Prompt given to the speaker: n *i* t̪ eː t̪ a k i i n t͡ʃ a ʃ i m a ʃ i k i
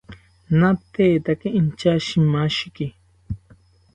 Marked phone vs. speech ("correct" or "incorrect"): incorrect